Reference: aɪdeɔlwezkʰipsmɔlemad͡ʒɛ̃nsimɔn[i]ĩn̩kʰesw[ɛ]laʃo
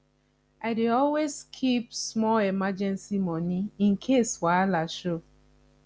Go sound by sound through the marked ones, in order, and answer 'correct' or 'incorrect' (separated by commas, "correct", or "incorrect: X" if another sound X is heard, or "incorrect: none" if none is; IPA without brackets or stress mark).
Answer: correct, incorrect: a